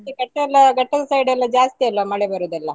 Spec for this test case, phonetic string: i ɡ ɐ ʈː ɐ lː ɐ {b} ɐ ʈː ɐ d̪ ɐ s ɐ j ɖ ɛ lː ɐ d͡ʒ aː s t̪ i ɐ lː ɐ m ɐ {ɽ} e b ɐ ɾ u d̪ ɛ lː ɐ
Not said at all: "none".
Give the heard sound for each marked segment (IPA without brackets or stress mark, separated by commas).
ɡ, ɭ